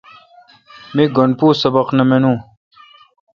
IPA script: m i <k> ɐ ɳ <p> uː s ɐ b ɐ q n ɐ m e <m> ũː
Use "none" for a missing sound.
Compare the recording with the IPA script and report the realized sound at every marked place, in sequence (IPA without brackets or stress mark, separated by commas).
ɡ, p, n